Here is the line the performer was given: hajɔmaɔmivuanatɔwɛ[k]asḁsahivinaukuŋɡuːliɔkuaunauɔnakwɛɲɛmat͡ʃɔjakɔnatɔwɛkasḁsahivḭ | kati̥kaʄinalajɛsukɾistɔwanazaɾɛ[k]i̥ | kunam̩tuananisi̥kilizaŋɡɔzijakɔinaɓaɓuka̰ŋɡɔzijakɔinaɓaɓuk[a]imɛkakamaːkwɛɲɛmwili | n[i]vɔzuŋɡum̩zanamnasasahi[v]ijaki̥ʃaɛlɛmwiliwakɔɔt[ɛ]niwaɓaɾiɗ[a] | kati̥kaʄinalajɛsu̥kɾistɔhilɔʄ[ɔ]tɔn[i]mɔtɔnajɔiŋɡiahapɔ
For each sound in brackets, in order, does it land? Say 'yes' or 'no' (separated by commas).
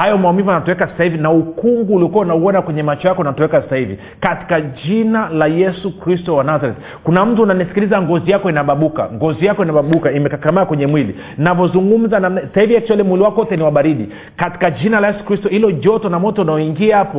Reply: yes, no, yes, no, yes, yes, no, yes, no